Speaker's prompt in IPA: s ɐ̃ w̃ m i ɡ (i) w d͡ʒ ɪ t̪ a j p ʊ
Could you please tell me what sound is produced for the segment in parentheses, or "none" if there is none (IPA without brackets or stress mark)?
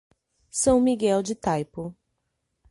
ɛ